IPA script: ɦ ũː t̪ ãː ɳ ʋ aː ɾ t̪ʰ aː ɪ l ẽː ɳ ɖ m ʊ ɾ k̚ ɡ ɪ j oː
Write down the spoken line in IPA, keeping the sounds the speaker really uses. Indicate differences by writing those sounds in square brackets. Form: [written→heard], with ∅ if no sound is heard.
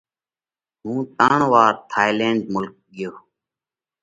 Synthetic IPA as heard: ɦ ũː t̪ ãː ɳ ʋ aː ɾ t̪ʰ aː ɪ l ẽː ɳ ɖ m ʊ [ɾ→l] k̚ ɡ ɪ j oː